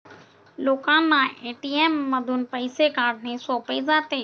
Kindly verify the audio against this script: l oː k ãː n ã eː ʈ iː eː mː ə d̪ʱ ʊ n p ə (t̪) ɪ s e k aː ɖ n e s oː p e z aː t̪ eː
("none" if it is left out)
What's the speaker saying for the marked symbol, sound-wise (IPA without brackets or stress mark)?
none